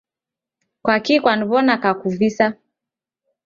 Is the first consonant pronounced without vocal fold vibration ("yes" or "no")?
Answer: yes